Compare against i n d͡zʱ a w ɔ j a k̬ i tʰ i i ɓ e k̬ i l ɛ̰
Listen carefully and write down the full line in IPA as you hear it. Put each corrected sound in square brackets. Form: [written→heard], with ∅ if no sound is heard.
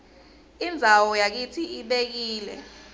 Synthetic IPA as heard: i n d͡zʱ a w ɔ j a k̬ i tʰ i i ɓ e k̬ [i→iː] l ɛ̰